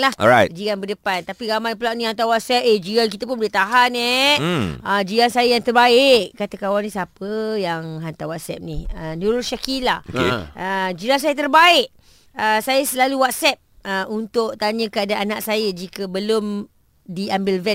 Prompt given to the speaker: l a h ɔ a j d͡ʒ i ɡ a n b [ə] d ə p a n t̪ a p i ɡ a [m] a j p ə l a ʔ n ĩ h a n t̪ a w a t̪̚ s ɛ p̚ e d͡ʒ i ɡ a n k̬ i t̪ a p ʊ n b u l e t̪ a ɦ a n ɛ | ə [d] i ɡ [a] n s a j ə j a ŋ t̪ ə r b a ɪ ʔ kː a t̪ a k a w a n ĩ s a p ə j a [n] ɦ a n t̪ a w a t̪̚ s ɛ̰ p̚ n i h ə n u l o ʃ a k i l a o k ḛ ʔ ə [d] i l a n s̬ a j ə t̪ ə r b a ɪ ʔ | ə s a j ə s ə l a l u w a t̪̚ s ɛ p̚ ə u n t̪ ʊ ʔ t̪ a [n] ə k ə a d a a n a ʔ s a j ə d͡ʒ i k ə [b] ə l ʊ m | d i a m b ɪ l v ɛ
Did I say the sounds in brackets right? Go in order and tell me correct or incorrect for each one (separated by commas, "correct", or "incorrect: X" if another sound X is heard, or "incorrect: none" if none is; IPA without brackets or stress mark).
correct, correct, incorrect: d͡ʒ, correct, incorrect: ŋ, incorrect: d͡ʒ, incorrect: ɲ, correct